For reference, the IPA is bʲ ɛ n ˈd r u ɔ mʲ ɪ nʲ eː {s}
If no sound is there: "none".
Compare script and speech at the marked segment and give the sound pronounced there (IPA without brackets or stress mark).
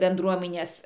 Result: s